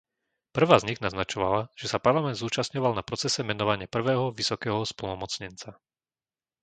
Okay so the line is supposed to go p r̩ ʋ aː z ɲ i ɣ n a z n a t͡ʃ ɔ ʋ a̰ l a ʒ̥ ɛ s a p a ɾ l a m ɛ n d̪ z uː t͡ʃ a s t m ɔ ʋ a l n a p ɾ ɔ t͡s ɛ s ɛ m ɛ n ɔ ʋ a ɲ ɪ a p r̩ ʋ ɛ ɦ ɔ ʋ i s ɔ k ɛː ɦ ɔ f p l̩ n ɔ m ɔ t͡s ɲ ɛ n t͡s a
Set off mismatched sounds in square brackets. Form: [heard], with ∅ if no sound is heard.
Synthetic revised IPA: p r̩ ʋ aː z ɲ i ɣ n a z n a t͡ʃ ɔ ʋ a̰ l a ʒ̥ ɛ s a p a ɾ l a m ɛ n d̪ z uː t͡ʃ a s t [ɲ] ɔ ʋ a l n a p ɾ ɔ t͡s ɛ s ɛ m ɛ n ɔ ʋ a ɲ ɪ a p r̩ ʋ [ɛː] ɦ ɔ ʋ i s ɔ k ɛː ɦ ɔ [s] p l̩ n ɔ m ɔ t͡s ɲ ɛ n t͡s a